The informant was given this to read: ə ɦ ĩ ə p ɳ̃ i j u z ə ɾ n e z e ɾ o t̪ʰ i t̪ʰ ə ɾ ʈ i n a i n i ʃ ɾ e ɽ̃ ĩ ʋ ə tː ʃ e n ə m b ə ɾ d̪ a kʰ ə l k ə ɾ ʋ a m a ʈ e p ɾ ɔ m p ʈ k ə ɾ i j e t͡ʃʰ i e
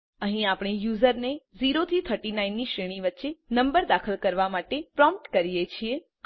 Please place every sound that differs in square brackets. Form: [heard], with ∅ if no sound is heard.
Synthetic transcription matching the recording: ə ɦ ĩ [a] p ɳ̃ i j u z ə ɾ n e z [i] ɾ o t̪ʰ i t̪ʰ ə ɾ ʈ i n a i [nː] i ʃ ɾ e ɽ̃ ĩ ʋ ə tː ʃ e n ə m b ə ɾ d̪ a kʰ ə l k ə ɾ ʋ a m a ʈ e p ɾ ɔ m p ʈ k ə ɾ i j e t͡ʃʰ i e